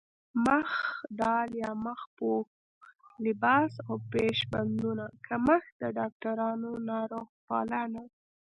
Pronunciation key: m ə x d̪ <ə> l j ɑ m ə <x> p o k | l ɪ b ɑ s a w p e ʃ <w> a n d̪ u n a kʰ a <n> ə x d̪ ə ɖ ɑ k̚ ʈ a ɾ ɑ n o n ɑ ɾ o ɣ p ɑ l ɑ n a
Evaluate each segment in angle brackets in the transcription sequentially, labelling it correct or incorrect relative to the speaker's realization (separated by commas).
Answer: incorrect, correct, incorrect, incorrect